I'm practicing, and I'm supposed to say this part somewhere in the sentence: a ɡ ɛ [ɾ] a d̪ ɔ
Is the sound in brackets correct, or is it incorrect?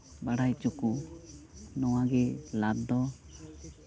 incorrect: l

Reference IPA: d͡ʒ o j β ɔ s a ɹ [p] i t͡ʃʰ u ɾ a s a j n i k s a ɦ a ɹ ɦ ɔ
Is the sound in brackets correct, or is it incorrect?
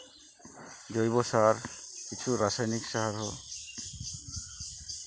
incorrect: k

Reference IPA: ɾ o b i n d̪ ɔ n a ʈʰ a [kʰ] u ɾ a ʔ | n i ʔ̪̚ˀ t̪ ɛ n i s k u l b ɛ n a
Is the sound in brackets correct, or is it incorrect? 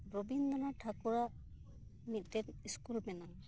incorrect: k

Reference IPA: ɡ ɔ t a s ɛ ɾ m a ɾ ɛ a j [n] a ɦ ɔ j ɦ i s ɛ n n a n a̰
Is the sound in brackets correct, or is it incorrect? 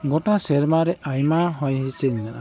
incorrect: m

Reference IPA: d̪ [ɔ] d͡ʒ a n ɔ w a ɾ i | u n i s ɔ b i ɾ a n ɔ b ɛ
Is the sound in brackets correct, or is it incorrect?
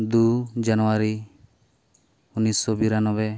incorrect: u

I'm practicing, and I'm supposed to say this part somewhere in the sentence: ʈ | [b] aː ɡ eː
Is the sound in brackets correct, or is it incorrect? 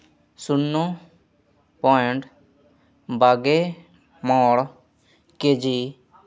correct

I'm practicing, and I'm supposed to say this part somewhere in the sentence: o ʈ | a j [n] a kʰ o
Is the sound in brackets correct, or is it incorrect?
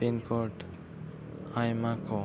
incorrect: m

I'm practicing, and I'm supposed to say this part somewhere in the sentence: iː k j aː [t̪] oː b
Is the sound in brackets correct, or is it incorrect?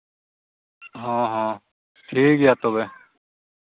correct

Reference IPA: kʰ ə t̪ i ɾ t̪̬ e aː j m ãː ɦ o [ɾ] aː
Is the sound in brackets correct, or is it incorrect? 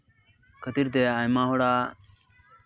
incorrect: ɽ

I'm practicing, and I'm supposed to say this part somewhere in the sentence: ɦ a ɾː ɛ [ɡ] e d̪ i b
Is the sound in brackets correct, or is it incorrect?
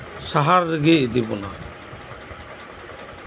correct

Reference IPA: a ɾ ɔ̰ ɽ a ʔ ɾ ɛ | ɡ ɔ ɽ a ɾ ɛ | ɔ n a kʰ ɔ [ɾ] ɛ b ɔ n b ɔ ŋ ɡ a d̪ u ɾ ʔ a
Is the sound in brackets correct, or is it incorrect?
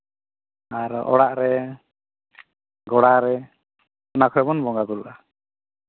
correct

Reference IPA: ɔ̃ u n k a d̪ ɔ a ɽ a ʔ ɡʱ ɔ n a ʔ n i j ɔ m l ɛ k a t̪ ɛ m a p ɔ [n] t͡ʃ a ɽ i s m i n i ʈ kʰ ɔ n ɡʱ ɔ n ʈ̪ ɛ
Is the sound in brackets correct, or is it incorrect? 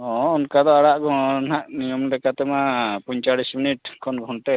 incorrect: ɲ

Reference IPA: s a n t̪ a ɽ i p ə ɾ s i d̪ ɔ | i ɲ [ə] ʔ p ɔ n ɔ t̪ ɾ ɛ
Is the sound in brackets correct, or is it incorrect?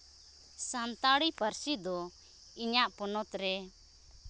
incorrect: a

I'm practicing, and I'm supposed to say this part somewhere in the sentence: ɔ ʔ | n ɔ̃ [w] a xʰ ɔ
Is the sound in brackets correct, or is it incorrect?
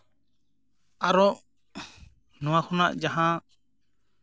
correct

